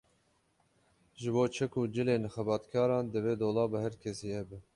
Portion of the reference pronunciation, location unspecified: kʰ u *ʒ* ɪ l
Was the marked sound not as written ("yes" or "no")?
yes